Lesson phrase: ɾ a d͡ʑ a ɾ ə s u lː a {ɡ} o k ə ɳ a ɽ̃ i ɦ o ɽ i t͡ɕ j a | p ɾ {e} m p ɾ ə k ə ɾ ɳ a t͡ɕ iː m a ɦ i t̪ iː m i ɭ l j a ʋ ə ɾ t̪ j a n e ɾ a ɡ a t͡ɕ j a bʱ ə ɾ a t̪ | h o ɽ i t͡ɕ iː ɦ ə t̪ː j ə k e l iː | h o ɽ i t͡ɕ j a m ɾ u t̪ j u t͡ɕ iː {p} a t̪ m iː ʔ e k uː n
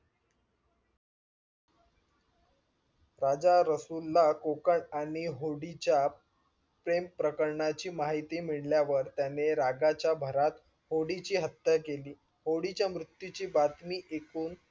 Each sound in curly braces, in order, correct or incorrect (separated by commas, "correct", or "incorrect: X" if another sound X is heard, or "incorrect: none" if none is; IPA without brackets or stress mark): incorrect: k, correct, incorrect: b